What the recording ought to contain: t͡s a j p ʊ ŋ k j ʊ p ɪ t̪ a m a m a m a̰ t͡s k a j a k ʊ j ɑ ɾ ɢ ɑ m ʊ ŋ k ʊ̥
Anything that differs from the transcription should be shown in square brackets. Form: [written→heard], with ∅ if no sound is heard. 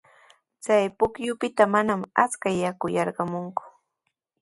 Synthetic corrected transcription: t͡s a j p ʊ [ŋ→∅] k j ʊ p ɪ t̪ a m a [m→n] a m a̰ t͡s k a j a k ʊ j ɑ ɾ ɢ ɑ m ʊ ŋ k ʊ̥